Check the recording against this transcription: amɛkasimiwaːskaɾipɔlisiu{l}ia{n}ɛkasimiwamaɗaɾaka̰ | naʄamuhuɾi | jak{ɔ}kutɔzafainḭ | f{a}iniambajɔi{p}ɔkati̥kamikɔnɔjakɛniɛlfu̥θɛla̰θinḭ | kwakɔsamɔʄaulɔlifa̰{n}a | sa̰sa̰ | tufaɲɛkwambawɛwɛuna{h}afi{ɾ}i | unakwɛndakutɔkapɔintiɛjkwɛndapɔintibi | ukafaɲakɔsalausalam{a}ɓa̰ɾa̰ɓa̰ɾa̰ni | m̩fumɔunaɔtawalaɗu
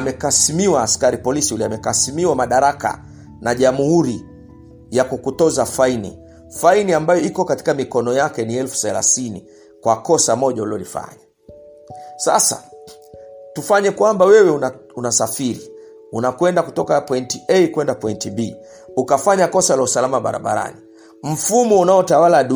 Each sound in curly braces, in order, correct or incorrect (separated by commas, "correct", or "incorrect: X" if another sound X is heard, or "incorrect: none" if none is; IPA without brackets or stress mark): correct, incorrect: m, incorrect: u, correct, incorrect: k, incorrect: ɲ, incorrect: s, correct, correct